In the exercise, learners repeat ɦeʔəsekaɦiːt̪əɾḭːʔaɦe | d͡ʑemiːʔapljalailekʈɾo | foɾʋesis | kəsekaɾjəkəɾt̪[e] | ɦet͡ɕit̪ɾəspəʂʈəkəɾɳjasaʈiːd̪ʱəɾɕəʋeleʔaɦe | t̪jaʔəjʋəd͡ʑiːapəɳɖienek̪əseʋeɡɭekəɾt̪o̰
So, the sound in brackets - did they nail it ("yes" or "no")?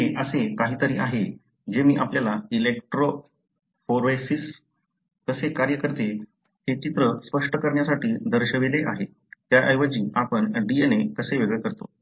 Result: yes